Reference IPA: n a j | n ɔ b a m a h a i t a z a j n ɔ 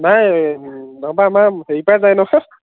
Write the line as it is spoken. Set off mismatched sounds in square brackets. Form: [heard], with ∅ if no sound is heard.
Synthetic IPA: n a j | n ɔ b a m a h [e] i [p] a z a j n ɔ